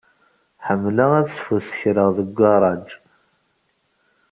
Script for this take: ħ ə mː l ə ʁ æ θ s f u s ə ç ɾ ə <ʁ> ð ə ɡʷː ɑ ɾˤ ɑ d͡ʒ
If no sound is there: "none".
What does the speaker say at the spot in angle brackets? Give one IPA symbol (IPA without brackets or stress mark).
ʁ